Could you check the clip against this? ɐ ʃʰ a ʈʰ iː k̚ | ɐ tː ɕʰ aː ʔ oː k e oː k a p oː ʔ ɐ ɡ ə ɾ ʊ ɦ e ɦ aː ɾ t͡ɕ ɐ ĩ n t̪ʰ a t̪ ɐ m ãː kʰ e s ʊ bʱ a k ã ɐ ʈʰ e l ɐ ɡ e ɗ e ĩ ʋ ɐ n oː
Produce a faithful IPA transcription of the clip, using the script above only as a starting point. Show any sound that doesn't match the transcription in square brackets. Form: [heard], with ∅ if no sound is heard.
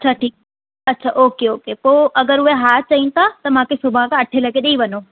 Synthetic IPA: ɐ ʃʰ a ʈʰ iː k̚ | ɐ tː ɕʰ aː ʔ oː k e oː k [e] p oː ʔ ɐ ɡ ə ɾ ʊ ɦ e ɦ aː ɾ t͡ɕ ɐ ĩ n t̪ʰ a t̪ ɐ m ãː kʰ e s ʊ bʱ a k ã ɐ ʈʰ e l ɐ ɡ e ɗ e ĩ ʋ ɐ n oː

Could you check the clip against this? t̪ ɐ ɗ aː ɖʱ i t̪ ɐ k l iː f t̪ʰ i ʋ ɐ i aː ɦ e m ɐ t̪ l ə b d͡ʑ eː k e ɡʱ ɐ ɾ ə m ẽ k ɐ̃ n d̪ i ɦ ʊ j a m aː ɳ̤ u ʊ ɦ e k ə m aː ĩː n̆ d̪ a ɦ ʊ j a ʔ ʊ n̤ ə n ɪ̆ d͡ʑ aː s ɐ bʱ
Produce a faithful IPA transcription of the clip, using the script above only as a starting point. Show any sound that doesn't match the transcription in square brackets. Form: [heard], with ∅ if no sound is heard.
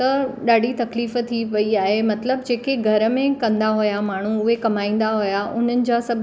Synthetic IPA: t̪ ɐ ɗ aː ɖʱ i t̪ ɐ k l iː f t̪ʰ i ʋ ɐ i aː ɦ e m ɐ t̪ l ə b d͡ʑ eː k e ɡʱ ɐ ɾ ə m ẽ k ɐ̃ n d̪ [a] ɦ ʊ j a m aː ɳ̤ u ʊ ɦ e k [ɐ] m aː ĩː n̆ d̪ a ɦ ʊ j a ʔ ʊ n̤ ə n ɪ̆ d͡ʑ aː s ɐ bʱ

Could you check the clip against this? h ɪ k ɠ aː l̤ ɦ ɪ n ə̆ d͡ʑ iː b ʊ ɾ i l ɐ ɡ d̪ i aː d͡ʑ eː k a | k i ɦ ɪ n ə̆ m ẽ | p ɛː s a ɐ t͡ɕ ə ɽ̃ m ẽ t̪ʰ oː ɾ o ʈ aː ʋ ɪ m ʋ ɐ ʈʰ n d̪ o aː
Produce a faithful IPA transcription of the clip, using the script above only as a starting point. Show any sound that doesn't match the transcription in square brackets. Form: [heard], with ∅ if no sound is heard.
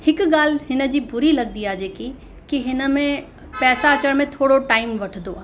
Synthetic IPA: h ɪ k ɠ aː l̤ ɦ ɪ n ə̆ d͡ʑ iː b ʊ ɾ i l ɐ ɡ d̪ i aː d͡ʑ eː k [i] | k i ɦ ɪ n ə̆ m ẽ | p ɛː s a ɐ t͡ɕ ə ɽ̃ m ẽ t̪ʰ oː [ɽ] o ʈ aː [∅] ɪ m ʋ ɐ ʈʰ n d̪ o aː

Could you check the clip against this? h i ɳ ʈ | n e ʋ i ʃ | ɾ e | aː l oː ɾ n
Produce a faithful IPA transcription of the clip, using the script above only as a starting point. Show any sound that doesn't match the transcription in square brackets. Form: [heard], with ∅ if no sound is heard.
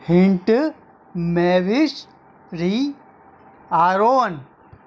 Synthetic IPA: h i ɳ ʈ | [m] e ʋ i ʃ | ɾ [i] | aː [ɾ] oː [∅] n

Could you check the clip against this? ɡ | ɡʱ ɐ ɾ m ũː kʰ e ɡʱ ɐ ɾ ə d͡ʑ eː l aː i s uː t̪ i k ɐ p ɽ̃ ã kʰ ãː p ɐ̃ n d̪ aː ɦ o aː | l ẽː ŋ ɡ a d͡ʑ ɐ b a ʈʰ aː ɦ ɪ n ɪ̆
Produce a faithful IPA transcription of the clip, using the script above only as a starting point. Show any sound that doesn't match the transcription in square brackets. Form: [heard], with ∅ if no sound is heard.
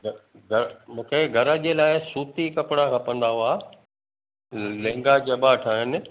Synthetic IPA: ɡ | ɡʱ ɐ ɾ m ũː kʰ e ɡʱ ɐ ɾ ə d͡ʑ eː l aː [ɪ] s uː t̪ i k ɐ p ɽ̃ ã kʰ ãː p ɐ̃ n d̪ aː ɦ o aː | l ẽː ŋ ɡ a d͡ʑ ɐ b a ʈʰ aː ɦ ɪ n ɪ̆

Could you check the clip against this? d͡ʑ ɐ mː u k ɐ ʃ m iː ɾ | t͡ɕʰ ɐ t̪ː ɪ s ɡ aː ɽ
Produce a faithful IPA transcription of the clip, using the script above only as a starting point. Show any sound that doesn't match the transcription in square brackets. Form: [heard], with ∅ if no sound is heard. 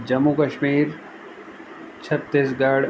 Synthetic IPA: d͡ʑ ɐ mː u k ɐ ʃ m iː ɾ | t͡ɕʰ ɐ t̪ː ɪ s ɡ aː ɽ

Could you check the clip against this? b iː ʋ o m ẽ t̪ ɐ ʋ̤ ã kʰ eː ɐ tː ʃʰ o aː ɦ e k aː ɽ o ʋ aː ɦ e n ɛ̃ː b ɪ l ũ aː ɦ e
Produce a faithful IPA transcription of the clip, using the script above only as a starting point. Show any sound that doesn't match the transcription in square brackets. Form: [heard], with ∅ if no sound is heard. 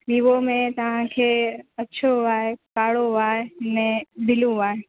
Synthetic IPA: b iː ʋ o m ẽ t̪ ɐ ʋ̤ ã kʰ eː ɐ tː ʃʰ o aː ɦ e k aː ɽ o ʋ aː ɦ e n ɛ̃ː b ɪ l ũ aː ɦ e

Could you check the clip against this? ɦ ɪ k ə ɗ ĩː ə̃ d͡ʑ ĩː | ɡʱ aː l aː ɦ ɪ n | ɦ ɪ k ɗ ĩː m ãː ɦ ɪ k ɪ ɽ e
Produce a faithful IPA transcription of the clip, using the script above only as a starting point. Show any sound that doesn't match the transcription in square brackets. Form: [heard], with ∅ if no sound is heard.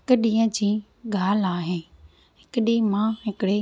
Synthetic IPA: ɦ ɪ k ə ɗ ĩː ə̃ d͡ʑ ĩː | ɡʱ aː l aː ɦ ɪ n | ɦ ɪ k ɗ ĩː m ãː ɦ ɪ k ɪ ɽ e

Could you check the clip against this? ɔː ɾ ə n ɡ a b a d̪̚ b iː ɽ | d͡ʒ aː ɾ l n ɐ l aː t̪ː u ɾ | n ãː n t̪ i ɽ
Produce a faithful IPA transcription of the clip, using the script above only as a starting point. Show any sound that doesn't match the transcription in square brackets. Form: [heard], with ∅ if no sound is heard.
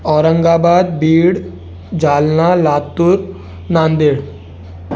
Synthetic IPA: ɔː ɾ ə [ŋ] ɡ a b a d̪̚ b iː ɽ | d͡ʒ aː [∅] l n [a] l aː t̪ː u ɾ | n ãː n [d̪] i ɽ

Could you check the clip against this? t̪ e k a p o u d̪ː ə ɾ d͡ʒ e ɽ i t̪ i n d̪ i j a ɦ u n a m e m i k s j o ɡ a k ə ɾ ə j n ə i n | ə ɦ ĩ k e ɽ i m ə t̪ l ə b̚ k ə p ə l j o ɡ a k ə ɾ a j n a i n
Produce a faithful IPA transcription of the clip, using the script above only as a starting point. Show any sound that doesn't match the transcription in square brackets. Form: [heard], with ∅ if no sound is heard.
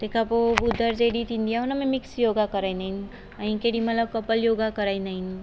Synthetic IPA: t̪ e k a p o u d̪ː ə ɾ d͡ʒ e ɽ i t̪ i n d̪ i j a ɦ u n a m e m i k s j o ɡ a k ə ɾ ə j n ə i n | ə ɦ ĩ k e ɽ i m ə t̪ l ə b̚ k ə p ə l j o ɡ a k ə ɾ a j n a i n

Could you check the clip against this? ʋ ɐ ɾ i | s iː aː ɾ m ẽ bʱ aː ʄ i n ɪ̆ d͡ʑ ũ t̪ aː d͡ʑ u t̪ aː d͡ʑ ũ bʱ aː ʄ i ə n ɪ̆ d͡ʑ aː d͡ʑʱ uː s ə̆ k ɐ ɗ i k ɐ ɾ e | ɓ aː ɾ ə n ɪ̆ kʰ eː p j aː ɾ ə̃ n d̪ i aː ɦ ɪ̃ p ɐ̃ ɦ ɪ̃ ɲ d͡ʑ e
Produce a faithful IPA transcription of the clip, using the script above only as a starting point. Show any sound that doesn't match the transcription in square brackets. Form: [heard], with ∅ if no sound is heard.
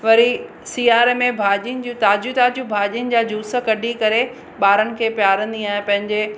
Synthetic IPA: ʋ ɐ ɾ i | s iː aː ɾ m ẽ bʱ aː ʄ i n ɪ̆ d͡ʑ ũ t̪ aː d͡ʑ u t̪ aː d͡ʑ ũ bʱ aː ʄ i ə n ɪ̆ d͡ʑ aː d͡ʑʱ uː s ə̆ k ɐ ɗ i k ɐ ɾ e | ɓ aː ɾ ə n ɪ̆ kʰ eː p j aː ɾ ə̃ n d̪ i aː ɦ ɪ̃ p ɐ̃ ɦ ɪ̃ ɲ d͡ʑ e

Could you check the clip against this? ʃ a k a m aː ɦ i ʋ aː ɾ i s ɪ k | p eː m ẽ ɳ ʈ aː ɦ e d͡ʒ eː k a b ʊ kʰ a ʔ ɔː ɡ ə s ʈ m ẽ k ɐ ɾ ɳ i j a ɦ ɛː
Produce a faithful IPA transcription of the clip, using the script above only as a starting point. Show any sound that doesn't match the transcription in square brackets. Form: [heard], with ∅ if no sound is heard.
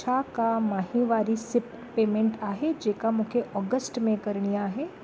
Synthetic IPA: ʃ a k a m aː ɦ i ʋ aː ɾ i s ɪ [p] | p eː m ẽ ɳ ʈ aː ɦ e d͡ʒ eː k a [m] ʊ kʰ [e] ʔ ɔː ɡ ə s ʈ m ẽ k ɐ ɾ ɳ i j a ɦ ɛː

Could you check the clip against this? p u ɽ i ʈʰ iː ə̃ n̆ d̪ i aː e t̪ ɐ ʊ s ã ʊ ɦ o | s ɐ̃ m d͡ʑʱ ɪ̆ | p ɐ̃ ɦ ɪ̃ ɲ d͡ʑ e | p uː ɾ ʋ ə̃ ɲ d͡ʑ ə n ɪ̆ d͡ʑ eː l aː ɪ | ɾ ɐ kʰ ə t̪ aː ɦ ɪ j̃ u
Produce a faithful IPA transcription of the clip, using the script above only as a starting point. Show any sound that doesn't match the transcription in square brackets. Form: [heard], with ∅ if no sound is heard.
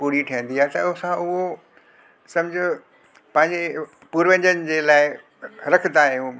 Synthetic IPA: p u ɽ i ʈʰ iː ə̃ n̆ d̪ i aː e t̪ ɐ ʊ s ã ʊ ɦ o | s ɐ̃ m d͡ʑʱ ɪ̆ | p ɐ̃ ɦ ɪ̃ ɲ d͡ʑ e | p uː ɾ ʋ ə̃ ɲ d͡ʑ ə n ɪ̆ d͡ʑ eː l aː ɪ | ɾ ɐ kʰ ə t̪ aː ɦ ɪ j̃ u

